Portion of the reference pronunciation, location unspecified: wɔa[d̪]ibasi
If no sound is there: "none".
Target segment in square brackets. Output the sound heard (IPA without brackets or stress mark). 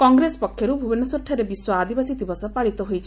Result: d̪